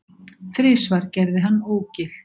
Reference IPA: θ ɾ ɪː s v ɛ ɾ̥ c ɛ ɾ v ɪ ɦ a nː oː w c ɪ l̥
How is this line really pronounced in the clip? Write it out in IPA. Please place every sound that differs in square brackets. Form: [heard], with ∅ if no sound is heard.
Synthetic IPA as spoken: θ ɾ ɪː s v [a] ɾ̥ c ɛ ɾ [ð] ɪ ɦ a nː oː w c ɪ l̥